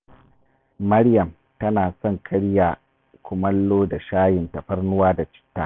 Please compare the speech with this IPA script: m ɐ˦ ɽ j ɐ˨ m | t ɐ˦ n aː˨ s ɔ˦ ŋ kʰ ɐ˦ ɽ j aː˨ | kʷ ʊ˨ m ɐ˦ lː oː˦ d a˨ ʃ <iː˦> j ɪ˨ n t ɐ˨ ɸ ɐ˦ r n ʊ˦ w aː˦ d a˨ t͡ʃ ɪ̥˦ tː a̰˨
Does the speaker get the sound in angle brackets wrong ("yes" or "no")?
yes